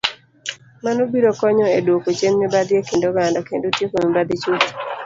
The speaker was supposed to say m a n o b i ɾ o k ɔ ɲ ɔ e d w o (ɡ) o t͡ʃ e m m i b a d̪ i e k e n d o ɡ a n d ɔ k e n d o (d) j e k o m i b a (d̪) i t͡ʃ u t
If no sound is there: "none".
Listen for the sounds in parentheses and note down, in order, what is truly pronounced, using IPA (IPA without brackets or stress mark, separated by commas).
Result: k, t, d̪